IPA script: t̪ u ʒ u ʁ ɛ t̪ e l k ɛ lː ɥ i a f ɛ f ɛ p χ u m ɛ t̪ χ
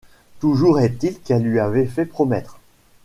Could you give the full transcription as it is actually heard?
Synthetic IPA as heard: t̪ u ʒ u ʁ ɛ t̪ i l k ɛ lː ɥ i a v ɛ f ɛ p χ ɔ m ɛ t̪ χ